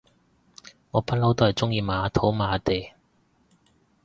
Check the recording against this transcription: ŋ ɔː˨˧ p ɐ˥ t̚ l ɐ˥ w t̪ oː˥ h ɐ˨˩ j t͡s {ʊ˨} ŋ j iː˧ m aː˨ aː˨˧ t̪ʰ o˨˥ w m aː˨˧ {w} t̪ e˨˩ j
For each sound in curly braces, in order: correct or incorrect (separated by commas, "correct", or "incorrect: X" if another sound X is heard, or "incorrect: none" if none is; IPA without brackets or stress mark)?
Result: incorrect: ʊ˥, incorrect: none